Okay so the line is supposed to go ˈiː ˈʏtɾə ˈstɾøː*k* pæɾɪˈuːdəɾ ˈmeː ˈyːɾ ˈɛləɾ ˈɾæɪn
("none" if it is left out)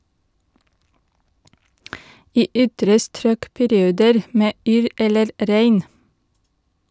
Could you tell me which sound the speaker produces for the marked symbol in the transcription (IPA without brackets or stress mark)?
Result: k